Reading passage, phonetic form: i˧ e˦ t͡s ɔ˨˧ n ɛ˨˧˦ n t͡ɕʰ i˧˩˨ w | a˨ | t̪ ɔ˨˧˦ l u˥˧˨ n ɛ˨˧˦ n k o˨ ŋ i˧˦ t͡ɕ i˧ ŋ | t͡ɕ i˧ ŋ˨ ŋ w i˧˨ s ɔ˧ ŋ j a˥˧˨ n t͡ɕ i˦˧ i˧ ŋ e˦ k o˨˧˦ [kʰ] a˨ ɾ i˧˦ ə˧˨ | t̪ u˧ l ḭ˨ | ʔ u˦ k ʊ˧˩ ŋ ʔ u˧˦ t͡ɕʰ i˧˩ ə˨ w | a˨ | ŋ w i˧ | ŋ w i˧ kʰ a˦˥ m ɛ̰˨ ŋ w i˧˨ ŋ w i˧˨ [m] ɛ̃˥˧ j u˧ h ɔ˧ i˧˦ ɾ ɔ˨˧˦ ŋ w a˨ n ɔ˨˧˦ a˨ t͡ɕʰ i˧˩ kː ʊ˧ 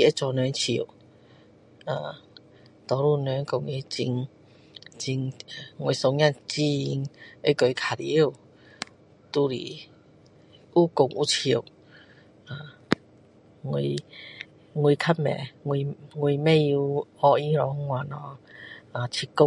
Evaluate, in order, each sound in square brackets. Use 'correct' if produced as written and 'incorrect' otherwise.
correct, correct

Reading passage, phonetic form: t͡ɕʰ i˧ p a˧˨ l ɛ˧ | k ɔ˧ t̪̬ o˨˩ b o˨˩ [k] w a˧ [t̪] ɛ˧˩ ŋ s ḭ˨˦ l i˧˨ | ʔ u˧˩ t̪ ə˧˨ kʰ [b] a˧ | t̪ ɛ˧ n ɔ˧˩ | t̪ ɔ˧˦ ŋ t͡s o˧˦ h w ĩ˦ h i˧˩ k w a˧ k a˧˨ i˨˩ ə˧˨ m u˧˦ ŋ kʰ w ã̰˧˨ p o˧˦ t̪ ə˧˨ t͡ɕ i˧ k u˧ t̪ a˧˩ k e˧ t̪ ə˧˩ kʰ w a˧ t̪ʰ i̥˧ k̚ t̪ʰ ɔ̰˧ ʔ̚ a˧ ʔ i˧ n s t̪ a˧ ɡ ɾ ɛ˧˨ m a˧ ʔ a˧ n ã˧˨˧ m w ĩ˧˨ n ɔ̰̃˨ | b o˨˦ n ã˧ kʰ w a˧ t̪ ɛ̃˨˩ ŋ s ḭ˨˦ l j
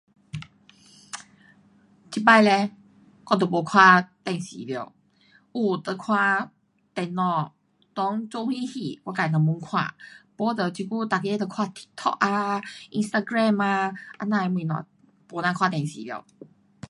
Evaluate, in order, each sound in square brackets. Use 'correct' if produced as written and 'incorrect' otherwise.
incorrect, correct, incorrect

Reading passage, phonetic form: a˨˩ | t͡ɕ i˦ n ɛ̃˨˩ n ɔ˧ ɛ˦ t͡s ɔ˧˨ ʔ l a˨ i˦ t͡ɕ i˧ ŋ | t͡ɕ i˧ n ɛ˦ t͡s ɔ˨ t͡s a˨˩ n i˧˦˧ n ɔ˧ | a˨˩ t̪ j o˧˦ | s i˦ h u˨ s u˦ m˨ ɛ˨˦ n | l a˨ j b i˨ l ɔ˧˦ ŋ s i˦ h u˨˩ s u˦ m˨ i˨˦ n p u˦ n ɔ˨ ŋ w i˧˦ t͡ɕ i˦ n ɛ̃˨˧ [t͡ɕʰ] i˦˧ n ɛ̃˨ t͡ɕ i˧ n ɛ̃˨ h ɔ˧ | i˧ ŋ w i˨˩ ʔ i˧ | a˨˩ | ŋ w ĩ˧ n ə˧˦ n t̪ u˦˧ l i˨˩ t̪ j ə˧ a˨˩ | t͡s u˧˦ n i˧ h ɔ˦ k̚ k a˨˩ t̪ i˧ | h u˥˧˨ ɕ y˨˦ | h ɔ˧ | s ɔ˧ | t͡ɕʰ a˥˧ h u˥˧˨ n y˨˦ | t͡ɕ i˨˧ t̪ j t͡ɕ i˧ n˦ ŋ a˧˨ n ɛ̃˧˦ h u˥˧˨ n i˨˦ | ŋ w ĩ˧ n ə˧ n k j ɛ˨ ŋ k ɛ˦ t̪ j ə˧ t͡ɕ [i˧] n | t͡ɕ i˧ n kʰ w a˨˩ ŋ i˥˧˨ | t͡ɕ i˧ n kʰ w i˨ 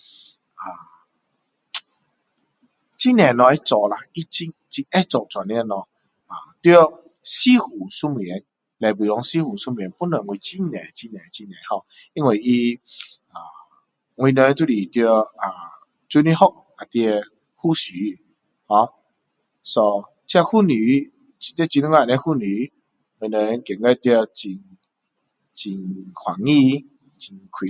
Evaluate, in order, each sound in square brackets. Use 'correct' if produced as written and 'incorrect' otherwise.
incorrect, correct

